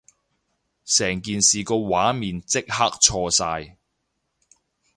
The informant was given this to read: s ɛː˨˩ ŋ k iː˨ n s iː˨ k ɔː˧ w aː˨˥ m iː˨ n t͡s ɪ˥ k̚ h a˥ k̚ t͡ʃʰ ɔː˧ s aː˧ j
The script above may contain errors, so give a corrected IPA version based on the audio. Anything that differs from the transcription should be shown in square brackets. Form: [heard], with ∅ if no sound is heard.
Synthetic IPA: s ɛː˨˩ ŋ k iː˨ n s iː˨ k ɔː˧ w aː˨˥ m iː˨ n t͡s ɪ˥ k̚ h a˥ k̚ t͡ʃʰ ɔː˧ s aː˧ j